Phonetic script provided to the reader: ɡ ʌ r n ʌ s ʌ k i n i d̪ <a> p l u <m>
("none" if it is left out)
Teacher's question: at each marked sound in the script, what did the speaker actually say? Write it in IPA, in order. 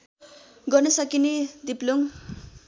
i, ŋ

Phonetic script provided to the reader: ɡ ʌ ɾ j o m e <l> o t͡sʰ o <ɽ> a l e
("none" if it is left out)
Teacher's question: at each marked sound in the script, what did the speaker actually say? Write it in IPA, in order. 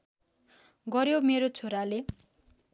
ɾ, ɾ

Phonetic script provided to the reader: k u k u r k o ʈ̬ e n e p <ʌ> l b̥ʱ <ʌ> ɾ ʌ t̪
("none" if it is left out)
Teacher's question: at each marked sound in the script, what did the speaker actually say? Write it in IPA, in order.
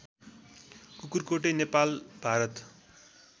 a, a

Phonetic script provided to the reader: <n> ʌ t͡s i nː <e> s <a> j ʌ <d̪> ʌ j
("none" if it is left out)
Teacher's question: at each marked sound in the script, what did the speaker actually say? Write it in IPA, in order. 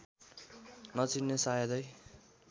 n, e, a, d̪

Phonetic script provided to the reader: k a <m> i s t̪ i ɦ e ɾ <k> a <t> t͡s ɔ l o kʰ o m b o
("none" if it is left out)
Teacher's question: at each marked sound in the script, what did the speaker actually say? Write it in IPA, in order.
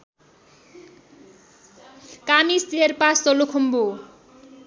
m, p, s

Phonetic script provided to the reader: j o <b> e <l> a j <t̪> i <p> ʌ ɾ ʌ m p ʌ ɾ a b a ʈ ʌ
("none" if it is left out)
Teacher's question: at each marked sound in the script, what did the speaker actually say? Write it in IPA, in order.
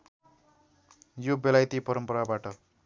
b, l, t̪, p

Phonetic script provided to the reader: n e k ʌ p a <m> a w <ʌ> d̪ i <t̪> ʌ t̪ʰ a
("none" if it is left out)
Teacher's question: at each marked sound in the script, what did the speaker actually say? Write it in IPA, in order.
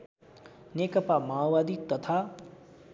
m, a, t̪

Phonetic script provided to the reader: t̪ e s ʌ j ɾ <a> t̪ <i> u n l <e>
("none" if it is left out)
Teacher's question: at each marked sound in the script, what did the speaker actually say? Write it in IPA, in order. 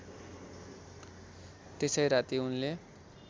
a, i, e

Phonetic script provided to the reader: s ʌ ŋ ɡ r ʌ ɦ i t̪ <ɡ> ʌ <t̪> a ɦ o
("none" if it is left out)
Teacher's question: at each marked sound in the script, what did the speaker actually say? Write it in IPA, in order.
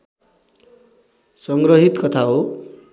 k, t̪ʰ

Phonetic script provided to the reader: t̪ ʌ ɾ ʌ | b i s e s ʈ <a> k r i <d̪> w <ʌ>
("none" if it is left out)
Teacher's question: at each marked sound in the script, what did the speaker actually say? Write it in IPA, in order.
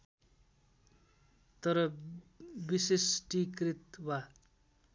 i, t̪, a

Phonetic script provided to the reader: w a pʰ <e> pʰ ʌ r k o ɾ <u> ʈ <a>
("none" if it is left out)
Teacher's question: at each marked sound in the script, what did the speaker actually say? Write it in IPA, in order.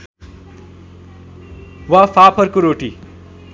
a, o, i

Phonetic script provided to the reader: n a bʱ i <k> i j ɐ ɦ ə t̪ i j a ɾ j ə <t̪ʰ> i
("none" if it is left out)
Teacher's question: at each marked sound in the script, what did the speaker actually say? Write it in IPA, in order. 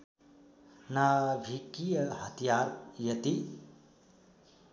k, t̪

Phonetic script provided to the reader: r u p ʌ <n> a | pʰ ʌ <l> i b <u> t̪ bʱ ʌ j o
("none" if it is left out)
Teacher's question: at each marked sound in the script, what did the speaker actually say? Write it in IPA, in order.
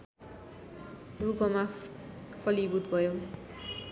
m, l, u

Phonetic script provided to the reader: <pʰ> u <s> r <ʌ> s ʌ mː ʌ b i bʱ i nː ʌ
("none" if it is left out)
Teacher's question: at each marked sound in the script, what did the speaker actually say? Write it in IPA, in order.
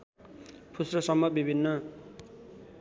pʰ, s, ʌ

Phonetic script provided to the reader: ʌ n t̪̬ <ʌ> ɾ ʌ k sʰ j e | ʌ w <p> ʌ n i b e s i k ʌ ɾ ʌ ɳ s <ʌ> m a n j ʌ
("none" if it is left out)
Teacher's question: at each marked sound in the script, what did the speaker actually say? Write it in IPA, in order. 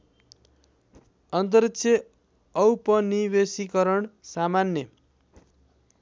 ʌ, p, a

